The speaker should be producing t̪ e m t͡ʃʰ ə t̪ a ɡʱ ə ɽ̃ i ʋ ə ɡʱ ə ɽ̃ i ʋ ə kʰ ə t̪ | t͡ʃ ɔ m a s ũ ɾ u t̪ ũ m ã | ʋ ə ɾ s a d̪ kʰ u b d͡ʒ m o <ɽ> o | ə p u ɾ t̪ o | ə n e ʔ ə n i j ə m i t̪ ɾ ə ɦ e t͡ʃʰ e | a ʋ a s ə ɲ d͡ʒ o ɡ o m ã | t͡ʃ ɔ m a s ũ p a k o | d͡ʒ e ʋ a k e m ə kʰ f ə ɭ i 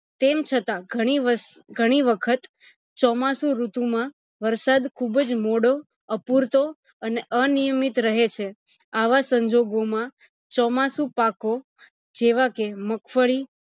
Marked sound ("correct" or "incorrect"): correct